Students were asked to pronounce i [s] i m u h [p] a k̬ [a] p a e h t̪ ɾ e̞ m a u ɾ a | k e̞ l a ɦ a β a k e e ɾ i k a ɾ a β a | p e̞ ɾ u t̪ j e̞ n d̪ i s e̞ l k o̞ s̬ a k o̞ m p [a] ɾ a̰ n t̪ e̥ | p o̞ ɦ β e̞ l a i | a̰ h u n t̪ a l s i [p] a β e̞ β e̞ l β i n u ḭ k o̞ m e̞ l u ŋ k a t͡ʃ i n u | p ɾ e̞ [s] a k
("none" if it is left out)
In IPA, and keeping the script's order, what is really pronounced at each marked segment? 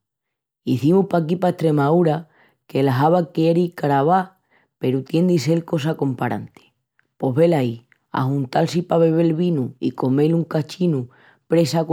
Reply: θ, p, i, a, p, s

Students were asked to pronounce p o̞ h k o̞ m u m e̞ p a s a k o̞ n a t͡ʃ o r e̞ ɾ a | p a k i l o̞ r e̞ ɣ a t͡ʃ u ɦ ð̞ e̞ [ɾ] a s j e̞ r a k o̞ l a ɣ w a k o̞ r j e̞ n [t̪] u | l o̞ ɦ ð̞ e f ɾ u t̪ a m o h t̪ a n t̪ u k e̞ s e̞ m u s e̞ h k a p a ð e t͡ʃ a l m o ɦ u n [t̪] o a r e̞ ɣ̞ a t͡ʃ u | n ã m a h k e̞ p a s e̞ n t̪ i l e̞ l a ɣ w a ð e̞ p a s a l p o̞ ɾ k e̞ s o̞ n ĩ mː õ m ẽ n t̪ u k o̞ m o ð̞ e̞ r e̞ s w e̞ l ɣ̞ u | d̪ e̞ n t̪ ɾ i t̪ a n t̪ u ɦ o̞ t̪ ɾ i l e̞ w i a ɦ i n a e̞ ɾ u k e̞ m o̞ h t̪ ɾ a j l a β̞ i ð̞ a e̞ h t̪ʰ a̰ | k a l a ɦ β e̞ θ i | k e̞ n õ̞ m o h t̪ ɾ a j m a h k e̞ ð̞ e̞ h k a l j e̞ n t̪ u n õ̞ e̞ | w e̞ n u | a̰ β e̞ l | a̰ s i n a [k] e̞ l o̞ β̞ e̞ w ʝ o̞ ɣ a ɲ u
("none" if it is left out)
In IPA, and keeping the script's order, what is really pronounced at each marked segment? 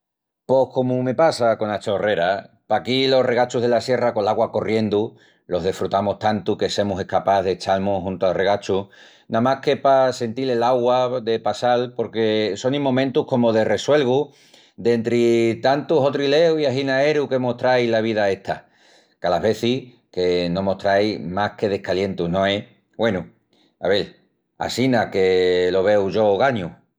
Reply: l, d̪, t̪, k

